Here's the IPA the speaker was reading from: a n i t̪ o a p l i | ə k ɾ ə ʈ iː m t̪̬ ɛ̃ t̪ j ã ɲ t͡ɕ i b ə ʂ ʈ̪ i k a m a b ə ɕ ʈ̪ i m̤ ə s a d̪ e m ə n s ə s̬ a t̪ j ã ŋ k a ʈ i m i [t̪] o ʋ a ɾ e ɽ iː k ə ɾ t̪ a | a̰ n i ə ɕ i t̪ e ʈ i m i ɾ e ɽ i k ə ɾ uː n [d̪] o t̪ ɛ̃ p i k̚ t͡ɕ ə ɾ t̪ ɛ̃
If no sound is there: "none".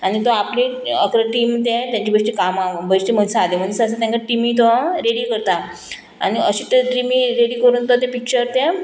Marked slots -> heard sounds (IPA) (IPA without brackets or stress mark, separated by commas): t̪, t̪